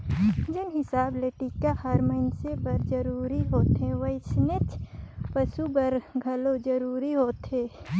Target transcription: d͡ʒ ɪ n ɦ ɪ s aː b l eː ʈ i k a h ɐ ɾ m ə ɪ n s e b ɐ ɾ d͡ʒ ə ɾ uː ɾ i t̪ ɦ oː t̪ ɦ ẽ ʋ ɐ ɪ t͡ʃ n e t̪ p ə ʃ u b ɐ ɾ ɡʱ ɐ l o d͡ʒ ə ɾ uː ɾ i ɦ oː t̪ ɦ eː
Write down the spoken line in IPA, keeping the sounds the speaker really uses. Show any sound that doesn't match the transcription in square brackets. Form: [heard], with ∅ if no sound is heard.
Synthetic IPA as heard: d͡ʒ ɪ n ɦ ɪ s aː b l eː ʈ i k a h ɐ ɾ m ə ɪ n s e b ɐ ɾ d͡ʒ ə ɾ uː ɾ i [∅] ɦ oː t̪ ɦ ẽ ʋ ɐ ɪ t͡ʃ n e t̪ p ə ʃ u b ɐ ɾ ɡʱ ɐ l o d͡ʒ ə ɾ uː ɾ i ɦ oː t̪ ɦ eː